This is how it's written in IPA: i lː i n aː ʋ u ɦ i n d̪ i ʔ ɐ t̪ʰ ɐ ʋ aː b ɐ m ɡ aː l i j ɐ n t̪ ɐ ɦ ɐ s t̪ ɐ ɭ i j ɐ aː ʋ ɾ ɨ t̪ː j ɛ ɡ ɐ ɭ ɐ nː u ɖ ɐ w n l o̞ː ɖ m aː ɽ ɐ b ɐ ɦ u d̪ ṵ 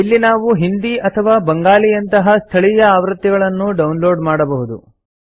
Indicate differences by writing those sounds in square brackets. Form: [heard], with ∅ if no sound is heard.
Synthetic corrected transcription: i lː i n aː ʋ u ɦ i n d̪ i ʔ ɐ t̪ʰ ɐ ʋ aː b ɐ [ŋ] ɡ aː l i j ɐ n t̪ ɐ ɦ ɐ s [t̪ʰ] ɐ ɭ i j ɐ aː ʋ ɾ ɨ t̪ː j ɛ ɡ ɐ ɭ ɐ nː u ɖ ɐ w n l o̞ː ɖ m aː ɽ ɐ b ɐ ɦ u d̪ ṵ